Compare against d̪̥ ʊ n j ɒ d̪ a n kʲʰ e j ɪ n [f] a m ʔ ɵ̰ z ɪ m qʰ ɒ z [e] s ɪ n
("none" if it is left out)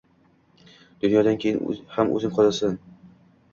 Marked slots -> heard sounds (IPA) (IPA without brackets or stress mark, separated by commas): h, a